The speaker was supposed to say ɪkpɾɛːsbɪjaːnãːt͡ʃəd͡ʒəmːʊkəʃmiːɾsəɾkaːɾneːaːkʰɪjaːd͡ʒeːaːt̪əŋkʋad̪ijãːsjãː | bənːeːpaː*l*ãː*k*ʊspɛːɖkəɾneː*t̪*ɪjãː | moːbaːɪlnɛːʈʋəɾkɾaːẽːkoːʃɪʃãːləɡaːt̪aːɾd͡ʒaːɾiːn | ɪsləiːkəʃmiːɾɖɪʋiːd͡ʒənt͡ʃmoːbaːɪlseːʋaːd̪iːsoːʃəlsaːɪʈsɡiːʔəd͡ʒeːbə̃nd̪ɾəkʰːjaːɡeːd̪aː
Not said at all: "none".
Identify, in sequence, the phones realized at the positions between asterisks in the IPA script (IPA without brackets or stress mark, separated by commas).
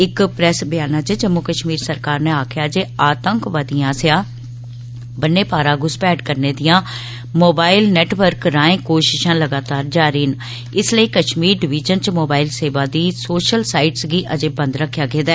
ɾ, ɡ, d̪